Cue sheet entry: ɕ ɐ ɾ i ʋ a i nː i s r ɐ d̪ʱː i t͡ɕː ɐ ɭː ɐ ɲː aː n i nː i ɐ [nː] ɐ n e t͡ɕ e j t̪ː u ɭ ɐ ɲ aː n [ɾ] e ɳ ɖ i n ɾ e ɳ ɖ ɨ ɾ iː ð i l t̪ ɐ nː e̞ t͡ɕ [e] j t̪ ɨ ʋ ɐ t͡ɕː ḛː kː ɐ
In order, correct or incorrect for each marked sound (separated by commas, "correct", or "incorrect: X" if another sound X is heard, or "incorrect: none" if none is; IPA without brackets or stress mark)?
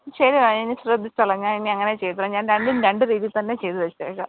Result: incorrect: ŋː, correct, correct